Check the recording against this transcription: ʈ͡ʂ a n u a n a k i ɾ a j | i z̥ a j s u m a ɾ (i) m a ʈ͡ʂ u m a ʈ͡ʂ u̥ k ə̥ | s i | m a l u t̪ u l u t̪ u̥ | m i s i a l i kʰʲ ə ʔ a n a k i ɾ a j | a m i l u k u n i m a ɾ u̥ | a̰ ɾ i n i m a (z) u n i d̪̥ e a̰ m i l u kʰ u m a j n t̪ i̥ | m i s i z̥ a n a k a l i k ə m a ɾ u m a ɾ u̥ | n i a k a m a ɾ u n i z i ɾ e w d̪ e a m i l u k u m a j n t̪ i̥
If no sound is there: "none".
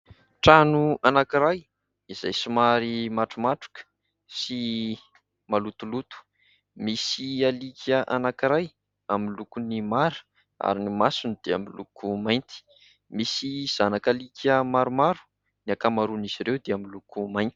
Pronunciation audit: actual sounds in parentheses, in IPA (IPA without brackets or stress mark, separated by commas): i, s